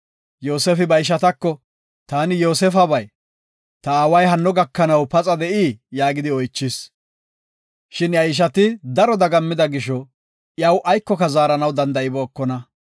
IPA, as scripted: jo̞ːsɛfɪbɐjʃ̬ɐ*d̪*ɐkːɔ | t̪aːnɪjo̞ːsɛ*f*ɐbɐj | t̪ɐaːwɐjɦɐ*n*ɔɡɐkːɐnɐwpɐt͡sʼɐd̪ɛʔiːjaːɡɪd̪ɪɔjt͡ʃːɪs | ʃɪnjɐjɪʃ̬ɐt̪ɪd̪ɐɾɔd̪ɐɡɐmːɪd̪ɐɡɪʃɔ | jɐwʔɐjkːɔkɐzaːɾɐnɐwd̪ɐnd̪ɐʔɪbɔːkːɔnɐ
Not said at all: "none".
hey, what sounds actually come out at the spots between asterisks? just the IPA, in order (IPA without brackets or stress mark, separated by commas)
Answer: t̪, f, nː